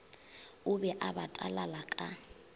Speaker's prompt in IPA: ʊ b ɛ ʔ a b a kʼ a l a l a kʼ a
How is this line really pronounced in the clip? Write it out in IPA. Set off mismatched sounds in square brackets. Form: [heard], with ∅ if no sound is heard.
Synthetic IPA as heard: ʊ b ɛ ʔ a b a [tʼ] a l a l a kʼ a